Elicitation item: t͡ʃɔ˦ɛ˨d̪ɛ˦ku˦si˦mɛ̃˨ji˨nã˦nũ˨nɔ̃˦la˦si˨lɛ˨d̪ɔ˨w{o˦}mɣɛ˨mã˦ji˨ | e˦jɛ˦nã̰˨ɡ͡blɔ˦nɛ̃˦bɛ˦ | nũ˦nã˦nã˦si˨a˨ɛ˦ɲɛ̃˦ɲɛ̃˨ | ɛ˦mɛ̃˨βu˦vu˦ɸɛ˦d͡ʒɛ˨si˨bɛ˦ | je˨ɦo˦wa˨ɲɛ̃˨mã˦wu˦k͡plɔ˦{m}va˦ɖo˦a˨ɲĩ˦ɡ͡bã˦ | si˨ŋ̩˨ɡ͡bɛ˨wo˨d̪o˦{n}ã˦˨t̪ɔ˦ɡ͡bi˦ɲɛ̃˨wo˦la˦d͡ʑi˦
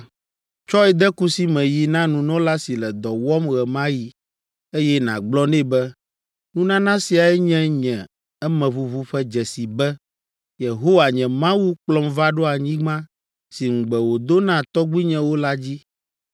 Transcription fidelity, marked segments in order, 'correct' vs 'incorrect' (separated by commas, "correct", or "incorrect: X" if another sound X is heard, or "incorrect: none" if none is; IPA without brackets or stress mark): incorrect: ɔ˦, correct, correct